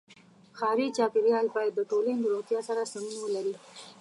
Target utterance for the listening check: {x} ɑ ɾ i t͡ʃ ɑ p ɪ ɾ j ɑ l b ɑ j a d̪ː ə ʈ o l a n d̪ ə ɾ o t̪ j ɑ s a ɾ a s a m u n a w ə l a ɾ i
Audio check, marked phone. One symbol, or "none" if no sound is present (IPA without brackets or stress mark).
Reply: x